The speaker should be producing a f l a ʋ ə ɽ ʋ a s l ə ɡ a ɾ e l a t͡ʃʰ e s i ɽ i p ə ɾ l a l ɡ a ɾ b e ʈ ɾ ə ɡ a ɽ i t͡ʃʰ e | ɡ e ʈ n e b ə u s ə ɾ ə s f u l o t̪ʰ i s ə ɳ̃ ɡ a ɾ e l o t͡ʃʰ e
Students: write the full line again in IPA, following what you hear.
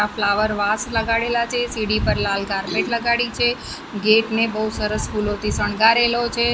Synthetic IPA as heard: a f l a ʋ ə ɾ ʋ a s l ə ɡ a ɽ e l a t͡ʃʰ e s i ɽ i p ə ɾ l a l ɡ a ɾ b e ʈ l ə ɡ a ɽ i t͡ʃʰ e | ɡ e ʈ n e b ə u s ə ɾ ə s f u l o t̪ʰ i s ə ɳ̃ ɡ a ɾ e l o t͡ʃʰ e